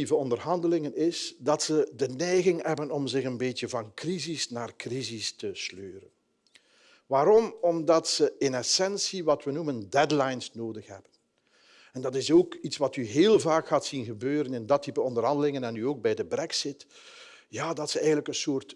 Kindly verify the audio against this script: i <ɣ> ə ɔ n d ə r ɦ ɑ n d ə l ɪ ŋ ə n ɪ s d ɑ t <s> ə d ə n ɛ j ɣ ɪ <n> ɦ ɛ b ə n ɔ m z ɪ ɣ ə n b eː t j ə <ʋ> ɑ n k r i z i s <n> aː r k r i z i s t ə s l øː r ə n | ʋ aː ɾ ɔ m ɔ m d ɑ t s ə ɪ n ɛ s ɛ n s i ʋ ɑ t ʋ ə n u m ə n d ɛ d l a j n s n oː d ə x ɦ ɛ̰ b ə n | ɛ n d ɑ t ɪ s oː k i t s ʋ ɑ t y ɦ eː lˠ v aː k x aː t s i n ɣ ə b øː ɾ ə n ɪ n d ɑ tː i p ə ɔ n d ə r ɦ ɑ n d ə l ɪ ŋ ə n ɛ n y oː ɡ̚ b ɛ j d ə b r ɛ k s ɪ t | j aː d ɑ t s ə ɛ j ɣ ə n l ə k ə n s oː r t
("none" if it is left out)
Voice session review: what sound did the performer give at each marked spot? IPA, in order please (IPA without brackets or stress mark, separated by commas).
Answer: v, s, ŋ, v, n